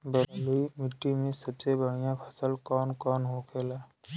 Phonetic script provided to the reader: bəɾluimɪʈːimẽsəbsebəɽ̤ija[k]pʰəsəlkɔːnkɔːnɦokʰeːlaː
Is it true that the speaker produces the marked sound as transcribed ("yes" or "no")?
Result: no